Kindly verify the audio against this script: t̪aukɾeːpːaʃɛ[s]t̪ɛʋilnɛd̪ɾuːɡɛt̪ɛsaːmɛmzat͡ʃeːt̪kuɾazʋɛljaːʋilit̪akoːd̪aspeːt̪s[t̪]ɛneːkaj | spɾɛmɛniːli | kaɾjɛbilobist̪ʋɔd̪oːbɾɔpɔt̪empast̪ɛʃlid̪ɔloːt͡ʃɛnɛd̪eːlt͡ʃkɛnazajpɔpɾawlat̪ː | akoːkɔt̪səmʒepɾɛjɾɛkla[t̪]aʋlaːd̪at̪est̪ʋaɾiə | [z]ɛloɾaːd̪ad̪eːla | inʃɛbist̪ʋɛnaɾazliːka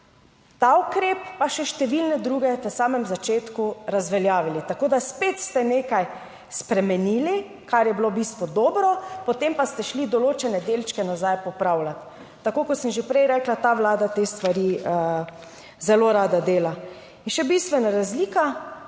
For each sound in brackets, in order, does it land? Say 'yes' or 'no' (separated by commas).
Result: no, yes, yes, yes